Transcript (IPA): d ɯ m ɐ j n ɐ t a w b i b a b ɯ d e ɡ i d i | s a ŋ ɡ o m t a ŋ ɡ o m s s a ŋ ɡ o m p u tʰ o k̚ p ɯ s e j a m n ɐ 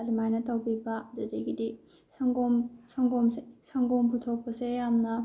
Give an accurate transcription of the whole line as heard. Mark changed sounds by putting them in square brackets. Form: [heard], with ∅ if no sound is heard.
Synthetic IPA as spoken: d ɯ m [a] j n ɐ t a w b i b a [d] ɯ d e ɡ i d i | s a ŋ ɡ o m [s] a ŋ ɡ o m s s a ŋ ɡ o m p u tʰ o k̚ p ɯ s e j a m n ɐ